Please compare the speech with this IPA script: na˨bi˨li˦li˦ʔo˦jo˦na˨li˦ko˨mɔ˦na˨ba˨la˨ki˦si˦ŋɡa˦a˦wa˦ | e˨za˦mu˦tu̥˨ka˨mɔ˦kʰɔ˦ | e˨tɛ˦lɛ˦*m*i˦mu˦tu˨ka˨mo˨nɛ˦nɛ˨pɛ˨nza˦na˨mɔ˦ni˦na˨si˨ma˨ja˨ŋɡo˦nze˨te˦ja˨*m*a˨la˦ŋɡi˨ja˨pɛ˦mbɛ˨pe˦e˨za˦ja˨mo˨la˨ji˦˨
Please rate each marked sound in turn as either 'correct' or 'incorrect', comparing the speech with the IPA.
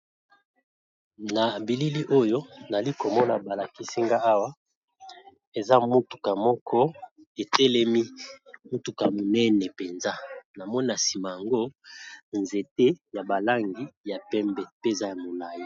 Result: correct, incorrect: b

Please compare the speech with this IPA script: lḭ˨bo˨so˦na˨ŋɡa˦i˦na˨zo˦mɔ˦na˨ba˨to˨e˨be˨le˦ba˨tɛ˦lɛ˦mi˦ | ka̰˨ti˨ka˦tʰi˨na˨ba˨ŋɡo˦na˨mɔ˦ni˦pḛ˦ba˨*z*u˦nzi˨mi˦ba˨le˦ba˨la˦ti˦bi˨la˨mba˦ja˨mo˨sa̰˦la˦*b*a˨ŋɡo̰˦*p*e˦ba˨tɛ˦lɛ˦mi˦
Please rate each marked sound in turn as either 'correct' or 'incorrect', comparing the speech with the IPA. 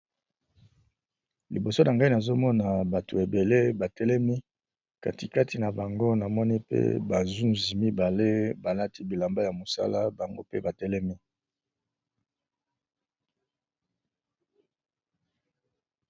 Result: correct, correct, correct

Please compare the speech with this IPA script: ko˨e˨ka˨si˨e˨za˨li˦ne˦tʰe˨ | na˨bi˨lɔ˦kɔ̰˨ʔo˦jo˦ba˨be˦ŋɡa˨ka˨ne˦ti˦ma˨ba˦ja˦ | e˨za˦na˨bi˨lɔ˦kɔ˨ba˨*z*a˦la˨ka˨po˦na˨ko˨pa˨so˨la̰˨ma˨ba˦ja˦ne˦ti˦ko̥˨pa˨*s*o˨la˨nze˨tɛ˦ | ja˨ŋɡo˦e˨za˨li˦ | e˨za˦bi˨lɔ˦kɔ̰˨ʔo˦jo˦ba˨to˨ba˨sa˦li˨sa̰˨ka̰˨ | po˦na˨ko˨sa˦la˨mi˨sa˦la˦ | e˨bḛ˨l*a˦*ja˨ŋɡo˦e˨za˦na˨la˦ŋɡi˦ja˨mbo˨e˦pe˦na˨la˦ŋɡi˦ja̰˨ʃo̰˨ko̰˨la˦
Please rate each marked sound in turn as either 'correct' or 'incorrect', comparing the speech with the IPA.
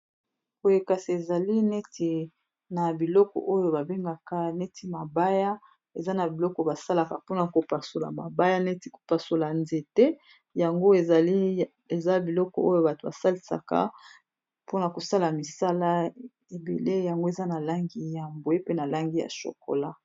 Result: incorrect: s, correct, incorrect: e˦

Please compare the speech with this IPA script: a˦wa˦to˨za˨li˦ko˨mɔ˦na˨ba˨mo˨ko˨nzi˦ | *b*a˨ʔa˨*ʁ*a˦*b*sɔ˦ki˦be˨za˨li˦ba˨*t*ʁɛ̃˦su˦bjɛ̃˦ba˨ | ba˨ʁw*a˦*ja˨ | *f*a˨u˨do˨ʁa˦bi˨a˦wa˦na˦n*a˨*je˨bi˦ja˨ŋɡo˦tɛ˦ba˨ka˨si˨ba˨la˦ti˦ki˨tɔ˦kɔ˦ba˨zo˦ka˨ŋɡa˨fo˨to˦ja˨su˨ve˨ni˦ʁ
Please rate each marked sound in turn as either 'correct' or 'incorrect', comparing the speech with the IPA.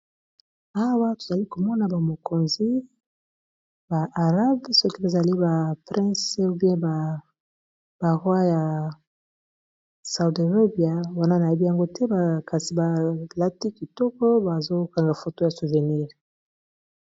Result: correct, correct, correct, incorrect: p, correct, incorrect: s, correct

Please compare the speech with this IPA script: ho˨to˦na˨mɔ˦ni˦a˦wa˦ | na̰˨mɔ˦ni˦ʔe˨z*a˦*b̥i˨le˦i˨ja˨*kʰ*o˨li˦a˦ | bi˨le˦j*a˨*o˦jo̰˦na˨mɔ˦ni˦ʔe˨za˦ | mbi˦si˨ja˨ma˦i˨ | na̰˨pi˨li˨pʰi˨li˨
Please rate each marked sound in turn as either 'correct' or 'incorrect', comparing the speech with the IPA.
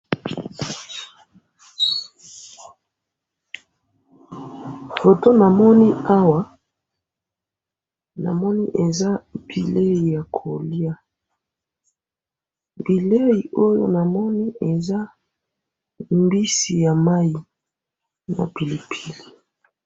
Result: correct, correct, incorrect: i˨

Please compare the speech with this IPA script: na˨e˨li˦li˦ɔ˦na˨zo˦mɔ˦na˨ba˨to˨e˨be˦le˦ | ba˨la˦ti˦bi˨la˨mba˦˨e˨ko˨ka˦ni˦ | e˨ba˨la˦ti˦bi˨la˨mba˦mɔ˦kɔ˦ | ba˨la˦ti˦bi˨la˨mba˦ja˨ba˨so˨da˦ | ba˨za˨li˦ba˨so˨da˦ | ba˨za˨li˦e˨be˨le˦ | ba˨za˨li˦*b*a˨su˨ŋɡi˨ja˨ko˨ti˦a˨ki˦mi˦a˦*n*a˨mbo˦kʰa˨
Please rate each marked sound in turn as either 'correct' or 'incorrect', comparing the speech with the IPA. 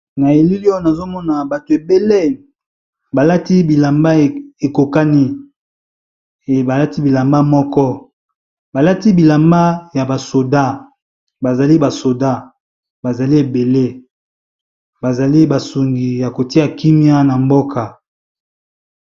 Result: correct, correct

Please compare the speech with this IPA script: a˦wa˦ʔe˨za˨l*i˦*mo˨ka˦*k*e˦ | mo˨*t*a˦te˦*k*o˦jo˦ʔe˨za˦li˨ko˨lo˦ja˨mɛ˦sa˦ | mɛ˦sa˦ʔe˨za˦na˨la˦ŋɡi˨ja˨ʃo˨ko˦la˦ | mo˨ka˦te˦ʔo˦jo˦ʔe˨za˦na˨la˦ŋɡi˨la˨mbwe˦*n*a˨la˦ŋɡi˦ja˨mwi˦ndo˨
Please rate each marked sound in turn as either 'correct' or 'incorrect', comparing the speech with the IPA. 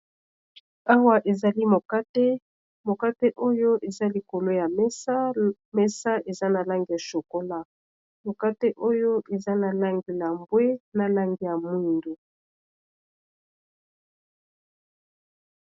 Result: correct, incorrect: t, incorrect: k, incorrect: ʔ, correct

